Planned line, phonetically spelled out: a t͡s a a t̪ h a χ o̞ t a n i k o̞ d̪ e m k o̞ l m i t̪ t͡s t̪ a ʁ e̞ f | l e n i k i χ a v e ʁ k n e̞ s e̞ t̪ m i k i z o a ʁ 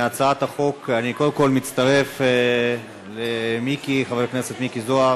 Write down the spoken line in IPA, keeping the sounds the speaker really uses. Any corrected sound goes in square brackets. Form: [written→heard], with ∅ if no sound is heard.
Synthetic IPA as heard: a t͡s a a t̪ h a χ o̞ [t→k] a n i k o̞ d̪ e m k o̞ l m i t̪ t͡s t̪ a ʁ e̞ f | l e [n→m] i k i χ a v e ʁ k n e̞ s e̞ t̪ m i k i z o a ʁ